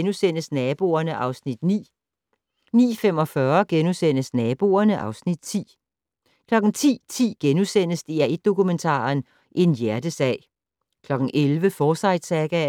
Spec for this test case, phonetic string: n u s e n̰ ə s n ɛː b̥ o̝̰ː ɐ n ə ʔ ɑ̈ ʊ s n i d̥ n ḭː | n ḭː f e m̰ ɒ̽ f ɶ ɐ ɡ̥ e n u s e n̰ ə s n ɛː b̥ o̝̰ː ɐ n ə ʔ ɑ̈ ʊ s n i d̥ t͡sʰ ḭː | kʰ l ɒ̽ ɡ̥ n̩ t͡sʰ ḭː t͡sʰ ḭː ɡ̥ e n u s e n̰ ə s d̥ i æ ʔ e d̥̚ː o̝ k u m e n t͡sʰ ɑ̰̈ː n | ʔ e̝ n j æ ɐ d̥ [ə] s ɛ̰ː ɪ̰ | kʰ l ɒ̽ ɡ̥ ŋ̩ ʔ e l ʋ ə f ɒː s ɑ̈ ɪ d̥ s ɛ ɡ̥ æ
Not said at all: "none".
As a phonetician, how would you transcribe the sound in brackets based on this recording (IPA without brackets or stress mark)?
ə